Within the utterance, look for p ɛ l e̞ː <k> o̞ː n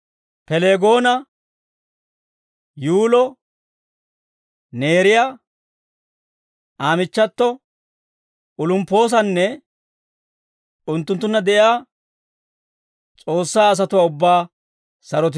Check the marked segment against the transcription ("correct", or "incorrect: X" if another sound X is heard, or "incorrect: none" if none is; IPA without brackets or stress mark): incorrect: ɡ